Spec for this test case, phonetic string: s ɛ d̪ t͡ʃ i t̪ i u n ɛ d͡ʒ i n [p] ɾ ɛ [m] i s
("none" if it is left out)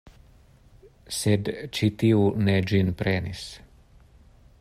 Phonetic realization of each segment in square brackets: p, n

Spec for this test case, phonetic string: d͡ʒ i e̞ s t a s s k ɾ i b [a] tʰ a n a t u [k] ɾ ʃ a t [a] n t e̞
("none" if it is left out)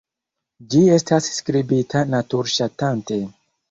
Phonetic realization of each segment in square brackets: i, none, a

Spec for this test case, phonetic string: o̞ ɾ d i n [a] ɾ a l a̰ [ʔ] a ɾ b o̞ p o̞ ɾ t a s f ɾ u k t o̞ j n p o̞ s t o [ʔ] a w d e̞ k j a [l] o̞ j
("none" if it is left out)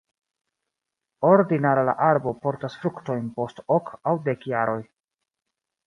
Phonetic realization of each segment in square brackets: a, ʔ, k, ɾ

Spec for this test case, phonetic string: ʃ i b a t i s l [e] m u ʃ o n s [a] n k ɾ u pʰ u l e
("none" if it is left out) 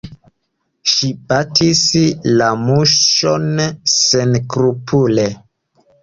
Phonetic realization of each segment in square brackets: a, e

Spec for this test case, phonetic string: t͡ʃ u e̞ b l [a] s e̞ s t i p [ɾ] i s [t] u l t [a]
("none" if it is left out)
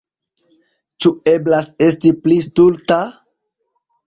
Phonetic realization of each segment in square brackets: a, l, t, a

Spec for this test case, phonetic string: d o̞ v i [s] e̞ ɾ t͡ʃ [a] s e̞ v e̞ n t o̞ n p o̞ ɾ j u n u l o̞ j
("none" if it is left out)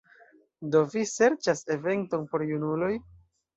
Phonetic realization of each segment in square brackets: s, a

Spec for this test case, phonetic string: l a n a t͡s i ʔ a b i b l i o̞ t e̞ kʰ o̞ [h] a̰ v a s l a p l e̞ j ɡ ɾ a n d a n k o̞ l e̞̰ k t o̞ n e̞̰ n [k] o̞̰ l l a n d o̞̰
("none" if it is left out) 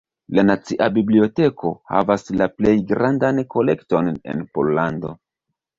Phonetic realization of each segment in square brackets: h, p

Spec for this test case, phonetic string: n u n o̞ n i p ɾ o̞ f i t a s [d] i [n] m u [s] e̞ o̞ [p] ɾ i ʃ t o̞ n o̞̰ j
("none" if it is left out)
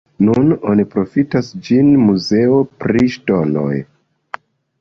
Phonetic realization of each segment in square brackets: d͡ʒ, n, z, p

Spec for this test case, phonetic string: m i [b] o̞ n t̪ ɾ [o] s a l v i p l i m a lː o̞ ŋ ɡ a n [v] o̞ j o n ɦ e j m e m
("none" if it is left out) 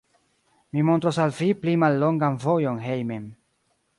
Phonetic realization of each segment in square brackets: m, o, v

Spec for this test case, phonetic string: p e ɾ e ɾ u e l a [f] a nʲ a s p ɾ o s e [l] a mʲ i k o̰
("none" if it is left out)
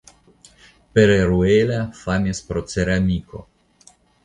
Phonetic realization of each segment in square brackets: f, ɾ

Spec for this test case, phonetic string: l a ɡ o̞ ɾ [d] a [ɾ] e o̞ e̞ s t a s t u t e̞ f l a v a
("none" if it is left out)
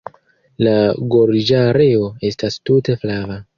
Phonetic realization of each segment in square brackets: d͡ʒ, ɾ

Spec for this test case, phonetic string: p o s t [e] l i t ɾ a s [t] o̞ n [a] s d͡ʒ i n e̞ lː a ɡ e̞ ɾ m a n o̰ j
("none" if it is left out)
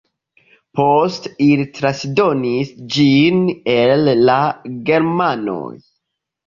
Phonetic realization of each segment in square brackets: i, d, i

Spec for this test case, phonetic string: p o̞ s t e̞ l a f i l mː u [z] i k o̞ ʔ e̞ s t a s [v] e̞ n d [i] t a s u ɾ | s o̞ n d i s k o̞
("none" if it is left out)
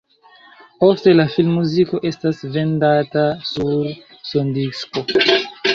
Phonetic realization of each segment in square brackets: z, v, a

